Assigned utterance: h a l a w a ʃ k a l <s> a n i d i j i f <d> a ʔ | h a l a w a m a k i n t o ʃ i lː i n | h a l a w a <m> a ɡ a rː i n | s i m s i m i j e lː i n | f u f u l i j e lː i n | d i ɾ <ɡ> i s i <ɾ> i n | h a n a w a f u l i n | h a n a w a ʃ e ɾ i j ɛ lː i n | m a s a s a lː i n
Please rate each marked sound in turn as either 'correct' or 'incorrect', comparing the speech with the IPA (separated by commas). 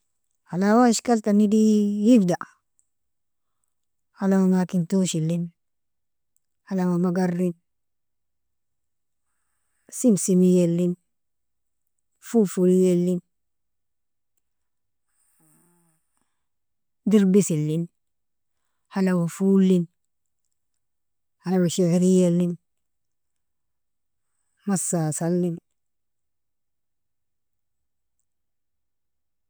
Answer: incorrect, correct, correct, incorrect, incorrect